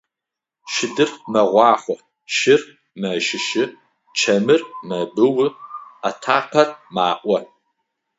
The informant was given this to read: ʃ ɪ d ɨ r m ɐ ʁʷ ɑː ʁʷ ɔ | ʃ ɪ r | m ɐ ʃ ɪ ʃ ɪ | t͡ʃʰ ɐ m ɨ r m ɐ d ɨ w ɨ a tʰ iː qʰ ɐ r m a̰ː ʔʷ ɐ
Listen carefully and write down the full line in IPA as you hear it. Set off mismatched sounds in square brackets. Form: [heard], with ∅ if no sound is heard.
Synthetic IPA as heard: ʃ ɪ d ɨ r m ɐ ʁʷ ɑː [χʷ] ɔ | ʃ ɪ r | m ɐ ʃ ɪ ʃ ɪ | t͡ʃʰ ɐ m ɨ r m ɐ [b] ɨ w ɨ a tʰ [aː] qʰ ɐ r m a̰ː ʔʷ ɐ